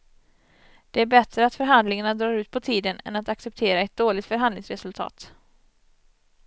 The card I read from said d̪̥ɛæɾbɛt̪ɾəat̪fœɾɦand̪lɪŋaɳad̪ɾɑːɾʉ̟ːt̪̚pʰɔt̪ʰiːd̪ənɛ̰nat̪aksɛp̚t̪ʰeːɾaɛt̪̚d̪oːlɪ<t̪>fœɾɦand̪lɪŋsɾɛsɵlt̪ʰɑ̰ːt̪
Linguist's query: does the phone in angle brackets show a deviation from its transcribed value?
no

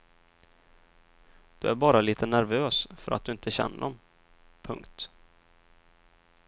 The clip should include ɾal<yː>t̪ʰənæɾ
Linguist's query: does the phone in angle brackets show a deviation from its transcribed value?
yes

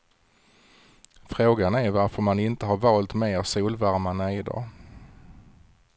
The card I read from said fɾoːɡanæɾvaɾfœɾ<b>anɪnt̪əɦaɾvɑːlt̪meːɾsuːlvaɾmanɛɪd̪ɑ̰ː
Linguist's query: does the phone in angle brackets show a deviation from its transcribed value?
yes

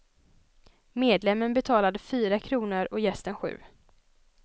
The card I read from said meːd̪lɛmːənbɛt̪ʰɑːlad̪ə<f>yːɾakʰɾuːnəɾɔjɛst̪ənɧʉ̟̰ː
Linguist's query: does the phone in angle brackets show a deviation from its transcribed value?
no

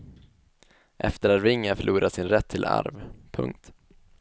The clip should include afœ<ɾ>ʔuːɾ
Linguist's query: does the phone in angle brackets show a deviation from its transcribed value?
yes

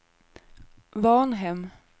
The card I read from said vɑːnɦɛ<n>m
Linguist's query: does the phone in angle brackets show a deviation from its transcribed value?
yes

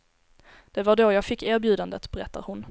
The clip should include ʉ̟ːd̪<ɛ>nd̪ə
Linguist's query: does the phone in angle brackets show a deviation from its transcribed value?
yes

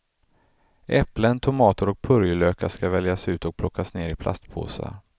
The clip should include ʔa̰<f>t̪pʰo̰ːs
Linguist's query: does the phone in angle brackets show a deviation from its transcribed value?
yes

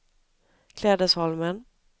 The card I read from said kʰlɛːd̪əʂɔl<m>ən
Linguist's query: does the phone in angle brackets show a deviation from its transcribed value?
no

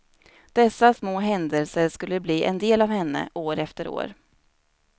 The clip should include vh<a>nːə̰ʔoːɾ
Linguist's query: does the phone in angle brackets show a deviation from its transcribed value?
yes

